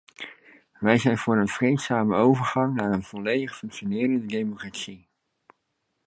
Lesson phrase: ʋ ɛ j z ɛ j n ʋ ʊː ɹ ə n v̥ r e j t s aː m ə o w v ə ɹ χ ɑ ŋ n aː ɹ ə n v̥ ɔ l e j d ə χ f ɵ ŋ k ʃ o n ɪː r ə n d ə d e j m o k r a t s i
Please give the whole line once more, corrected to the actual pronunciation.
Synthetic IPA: ʋ ɛ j z ɛ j n v ʊː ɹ ə n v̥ r e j t s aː m ə o w v ə ɹ χ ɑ ŋ n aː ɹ ə n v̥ ɔ l e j d ə χ f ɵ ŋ k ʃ o n ɪː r ə n d ə d e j m o k r a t s i